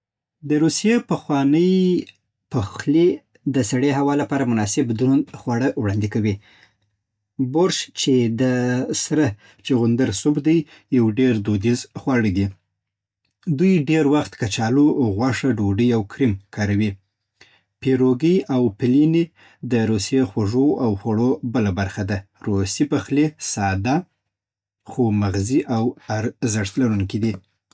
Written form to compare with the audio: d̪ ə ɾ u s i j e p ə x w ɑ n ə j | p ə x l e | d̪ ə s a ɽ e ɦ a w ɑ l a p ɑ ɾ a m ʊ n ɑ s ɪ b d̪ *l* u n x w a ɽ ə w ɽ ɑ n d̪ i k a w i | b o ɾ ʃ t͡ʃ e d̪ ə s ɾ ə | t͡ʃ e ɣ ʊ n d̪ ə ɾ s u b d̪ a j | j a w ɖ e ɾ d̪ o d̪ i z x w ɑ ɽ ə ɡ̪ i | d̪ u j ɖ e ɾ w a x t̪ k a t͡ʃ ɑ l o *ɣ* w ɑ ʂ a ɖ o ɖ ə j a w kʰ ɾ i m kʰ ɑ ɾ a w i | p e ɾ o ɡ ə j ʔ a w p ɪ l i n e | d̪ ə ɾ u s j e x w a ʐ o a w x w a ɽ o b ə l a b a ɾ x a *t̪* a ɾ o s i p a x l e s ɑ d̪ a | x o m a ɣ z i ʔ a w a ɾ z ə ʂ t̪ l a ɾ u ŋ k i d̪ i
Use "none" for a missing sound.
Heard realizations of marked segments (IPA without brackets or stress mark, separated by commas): ɾ, ɣ, d̪